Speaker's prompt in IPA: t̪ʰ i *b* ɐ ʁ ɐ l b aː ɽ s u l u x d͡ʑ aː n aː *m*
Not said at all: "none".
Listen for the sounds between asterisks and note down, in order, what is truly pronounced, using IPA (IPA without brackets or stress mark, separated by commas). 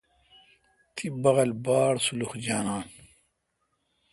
b, n